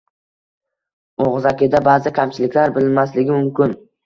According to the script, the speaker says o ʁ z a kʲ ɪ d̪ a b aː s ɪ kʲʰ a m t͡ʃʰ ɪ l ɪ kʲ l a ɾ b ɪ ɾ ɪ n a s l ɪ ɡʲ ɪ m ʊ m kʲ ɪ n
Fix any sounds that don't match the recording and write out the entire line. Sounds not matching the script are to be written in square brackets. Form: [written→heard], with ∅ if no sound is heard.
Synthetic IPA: o ʁ z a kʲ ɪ d̪ a b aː [s→z] ɪ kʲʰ a m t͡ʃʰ ɪ l ɪ kʲ l a ɾ b ɪ [ɾ→l] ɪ [n→m] a s l ɪ ɡʲ ɪ m ʊ m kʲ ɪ n